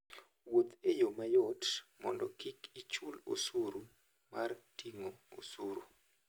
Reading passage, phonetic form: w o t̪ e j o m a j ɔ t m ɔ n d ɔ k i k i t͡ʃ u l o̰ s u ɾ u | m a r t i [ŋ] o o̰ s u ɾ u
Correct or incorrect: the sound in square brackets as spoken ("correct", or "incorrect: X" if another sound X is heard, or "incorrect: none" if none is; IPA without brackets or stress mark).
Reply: correct